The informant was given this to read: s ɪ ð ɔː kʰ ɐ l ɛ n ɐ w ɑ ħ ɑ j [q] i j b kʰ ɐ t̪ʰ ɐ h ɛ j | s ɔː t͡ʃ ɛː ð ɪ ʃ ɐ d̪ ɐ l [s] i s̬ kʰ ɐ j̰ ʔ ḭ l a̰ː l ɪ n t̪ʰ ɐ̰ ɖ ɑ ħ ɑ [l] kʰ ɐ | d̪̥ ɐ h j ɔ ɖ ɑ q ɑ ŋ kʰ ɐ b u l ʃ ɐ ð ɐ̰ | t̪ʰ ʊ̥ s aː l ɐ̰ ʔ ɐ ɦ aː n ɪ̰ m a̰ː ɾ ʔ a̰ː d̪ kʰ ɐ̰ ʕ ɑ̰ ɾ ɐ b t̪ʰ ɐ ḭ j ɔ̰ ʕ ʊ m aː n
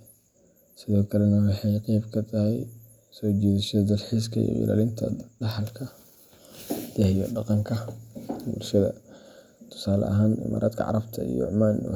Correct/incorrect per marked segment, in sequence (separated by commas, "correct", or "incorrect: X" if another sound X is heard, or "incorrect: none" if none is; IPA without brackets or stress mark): correct, incorrect: ħ, correct